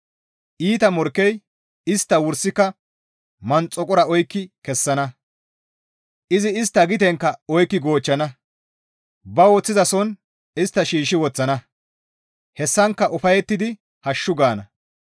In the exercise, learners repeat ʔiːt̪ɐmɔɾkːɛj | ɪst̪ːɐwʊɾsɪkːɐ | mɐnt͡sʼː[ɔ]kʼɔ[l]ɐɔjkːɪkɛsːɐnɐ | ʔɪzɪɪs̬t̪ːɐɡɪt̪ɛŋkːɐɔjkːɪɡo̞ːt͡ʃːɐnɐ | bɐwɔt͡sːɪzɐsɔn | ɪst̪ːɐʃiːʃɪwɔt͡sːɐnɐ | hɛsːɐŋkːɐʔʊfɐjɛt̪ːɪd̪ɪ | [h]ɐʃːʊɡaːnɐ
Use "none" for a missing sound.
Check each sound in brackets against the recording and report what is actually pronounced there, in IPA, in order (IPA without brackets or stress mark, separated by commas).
ɔ, ɾ, h